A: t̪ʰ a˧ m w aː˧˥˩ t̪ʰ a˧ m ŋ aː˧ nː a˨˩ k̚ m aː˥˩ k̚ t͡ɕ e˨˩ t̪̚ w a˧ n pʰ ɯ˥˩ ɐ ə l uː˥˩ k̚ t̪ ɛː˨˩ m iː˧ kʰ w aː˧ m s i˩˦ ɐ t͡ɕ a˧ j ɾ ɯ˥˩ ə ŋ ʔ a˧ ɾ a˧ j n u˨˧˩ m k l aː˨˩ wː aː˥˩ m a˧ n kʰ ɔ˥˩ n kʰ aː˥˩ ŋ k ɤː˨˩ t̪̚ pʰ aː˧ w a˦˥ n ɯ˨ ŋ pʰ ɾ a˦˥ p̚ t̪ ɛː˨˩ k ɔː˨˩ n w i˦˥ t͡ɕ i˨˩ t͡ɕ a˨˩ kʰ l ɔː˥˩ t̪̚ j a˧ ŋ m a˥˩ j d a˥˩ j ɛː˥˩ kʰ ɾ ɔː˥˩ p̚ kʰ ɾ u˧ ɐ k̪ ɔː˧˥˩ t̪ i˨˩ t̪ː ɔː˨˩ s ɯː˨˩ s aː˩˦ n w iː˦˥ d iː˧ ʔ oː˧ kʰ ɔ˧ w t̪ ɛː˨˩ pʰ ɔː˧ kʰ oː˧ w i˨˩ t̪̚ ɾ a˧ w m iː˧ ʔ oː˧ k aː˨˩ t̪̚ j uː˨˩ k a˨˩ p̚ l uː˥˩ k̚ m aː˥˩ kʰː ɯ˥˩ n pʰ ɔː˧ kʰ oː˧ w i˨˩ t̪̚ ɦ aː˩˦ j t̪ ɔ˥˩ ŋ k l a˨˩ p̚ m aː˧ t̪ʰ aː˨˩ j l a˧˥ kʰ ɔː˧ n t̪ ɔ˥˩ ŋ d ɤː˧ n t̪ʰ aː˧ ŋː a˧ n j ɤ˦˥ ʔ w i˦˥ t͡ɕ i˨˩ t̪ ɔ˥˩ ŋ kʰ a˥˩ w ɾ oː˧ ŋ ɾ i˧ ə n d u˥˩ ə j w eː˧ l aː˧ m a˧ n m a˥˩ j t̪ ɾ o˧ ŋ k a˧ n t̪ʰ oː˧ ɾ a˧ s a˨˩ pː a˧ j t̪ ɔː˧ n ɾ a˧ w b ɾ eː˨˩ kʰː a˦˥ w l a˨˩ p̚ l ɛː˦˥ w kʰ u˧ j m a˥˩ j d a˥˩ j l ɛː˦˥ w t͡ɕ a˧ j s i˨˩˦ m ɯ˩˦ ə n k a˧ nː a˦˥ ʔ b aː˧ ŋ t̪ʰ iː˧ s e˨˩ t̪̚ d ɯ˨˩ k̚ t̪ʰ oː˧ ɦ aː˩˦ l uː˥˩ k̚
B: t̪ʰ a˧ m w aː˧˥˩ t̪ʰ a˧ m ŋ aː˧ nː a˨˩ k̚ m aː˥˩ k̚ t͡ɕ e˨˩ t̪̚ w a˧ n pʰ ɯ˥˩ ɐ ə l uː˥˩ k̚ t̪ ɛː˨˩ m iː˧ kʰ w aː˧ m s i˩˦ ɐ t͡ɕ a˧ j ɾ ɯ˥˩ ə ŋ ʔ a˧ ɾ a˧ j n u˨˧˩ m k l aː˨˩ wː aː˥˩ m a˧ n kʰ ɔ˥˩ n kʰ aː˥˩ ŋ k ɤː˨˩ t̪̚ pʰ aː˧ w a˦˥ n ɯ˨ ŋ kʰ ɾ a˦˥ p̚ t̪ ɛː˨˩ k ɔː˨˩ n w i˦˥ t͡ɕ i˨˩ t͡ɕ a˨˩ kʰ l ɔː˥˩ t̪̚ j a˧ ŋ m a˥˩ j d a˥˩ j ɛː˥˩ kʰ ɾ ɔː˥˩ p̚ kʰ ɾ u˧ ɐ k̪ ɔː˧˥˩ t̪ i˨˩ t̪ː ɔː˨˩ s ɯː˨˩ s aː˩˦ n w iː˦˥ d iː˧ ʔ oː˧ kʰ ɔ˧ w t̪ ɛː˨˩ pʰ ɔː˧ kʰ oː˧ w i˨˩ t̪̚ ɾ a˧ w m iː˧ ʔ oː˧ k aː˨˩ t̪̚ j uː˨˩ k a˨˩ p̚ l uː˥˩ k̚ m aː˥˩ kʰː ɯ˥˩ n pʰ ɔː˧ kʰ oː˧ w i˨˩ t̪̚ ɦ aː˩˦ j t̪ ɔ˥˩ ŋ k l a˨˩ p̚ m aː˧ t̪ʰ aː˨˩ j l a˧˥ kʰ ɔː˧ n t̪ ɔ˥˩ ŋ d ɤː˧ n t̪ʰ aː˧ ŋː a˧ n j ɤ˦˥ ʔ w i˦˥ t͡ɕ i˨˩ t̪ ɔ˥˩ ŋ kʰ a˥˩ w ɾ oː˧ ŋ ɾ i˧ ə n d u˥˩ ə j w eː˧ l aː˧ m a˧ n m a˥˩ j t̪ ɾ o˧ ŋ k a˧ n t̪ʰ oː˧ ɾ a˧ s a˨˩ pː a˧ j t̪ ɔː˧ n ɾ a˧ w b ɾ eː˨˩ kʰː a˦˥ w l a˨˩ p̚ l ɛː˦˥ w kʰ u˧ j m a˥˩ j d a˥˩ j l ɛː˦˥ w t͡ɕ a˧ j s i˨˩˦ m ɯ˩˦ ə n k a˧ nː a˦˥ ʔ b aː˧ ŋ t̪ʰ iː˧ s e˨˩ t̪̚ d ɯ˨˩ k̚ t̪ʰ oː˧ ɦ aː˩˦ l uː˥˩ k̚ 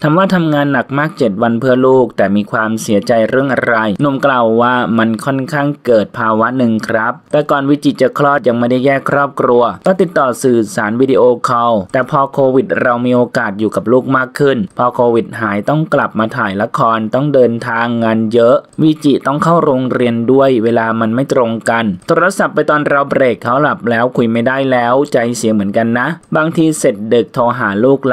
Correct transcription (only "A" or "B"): B